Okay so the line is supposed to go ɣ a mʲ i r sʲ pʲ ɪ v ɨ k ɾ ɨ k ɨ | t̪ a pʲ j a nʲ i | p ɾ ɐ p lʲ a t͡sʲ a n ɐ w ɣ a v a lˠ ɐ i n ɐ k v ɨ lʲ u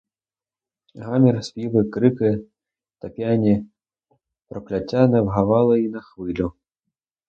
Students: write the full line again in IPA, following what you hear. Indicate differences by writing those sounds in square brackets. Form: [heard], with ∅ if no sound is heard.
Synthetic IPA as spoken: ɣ a mʲ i r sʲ pʲ [i] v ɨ k ɾ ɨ k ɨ | t̪ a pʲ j a nʲ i | p ɾ ɐ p lʲ a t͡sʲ a n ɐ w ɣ a v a lˠ ɐ i n ɐ [x] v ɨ lʲ u